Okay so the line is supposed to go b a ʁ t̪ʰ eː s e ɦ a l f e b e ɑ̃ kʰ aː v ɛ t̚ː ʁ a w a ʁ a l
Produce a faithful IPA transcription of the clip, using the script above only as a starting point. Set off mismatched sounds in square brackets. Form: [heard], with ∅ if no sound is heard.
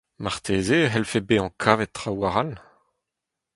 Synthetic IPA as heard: [m] a ʁ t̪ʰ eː [z] e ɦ [ɛ] l f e b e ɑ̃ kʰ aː v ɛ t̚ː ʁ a w a ʁ a l